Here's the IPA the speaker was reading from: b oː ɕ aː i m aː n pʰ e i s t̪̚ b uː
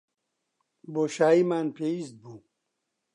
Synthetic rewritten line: b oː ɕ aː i m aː n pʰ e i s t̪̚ b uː